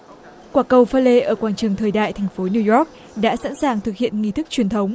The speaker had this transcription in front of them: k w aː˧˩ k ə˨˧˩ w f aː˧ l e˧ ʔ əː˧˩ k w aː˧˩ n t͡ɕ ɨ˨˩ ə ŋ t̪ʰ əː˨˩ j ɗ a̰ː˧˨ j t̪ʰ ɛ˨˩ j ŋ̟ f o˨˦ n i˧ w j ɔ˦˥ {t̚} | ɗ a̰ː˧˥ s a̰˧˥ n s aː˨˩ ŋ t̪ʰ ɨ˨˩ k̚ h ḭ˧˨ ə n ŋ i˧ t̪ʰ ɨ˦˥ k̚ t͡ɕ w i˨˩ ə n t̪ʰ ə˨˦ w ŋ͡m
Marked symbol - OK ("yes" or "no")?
no